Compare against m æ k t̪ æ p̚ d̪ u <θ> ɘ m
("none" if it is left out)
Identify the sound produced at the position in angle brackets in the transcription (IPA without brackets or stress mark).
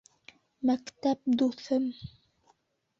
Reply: θ